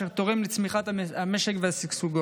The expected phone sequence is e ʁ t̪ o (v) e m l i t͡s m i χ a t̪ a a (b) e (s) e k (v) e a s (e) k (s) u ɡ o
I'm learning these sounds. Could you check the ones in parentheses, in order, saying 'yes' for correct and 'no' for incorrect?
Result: no, no, no, yes, no, yes

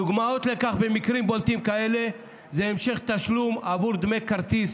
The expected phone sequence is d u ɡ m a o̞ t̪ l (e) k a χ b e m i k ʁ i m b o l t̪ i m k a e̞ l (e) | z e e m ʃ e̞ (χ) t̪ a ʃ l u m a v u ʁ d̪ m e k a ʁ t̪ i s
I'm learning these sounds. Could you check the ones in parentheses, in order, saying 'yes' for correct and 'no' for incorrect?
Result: yes, yes, yes

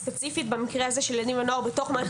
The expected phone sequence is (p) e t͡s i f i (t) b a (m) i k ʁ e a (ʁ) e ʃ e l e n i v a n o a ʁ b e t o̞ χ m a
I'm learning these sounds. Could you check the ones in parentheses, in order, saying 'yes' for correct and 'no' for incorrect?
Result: yes, yes, yes, no

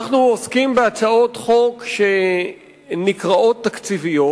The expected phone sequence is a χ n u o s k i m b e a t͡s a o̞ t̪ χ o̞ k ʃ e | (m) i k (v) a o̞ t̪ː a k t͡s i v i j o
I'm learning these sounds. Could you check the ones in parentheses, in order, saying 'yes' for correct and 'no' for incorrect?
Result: no, no

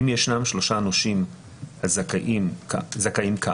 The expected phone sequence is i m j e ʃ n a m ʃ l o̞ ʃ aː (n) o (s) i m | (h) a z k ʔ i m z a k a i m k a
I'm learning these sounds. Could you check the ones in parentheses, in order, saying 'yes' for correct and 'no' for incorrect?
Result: yes, no, yes

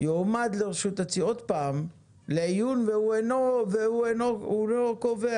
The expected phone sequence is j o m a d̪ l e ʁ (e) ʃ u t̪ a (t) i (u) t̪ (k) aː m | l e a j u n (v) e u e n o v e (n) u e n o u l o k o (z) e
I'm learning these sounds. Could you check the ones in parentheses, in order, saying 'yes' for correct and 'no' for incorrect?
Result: yes, no, no, no, yes, no, no

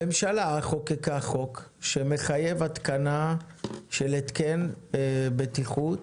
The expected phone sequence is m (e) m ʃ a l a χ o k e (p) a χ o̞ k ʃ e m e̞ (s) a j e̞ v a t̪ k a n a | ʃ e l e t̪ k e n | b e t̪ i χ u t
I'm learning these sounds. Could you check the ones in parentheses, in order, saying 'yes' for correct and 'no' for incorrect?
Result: yes, no, no

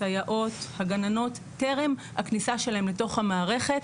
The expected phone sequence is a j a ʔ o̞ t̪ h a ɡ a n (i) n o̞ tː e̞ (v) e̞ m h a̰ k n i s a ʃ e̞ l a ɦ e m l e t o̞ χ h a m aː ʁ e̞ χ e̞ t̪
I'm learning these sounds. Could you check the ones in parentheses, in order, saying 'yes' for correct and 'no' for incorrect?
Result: no, no

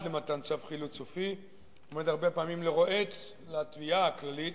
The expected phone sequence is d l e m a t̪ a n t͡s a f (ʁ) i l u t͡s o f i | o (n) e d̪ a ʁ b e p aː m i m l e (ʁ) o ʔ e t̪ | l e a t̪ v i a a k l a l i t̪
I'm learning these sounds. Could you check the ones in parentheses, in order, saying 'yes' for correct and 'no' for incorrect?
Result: no, no, yes

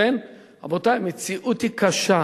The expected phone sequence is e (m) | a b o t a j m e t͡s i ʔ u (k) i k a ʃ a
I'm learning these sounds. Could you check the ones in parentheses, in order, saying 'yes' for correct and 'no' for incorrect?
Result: no, no

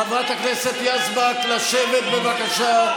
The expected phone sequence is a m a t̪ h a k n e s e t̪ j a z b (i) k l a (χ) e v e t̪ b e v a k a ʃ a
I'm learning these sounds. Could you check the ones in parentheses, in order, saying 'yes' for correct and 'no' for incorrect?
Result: no, no

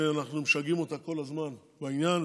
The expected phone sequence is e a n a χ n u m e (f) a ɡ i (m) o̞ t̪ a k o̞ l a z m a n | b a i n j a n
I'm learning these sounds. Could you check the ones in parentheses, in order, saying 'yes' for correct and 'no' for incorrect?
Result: no, yes

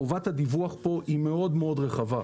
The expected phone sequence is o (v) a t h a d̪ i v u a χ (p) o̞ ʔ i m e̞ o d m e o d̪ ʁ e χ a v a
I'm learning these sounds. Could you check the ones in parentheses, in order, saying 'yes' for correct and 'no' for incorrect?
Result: yes, yes

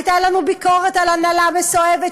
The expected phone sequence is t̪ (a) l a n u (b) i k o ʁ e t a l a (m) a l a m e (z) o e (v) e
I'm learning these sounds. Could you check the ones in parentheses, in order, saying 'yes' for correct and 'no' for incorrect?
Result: yes, yes, no, no, yes

